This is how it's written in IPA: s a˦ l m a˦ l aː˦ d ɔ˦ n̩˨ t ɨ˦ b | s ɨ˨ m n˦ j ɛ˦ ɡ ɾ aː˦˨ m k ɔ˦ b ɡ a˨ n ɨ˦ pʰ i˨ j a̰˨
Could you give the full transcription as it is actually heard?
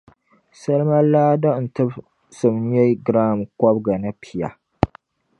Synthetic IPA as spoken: s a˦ l m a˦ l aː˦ d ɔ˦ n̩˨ t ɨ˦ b | s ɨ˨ m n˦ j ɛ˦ ɡ ɾ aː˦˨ m k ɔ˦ b ɡ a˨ n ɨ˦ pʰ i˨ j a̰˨